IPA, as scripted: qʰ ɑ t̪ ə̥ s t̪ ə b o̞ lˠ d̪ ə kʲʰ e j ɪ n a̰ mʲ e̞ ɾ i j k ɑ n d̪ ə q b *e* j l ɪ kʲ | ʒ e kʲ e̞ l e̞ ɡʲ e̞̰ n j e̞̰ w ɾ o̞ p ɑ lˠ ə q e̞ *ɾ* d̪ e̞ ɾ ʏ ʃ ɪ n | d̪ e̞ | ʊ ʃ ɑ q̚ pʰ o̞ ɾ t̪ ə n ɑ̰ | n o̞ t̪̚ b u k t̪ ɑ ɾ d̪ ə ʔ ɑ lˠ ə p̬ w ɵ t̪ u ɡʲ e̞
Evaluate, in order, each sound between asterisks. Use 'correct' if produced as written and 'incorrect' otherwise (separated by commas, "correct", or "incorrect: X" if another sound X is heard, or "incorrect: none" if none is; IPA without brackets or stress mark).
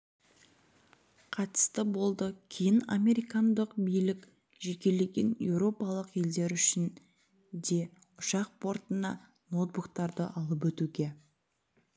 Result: incorrect: i, incorrect: l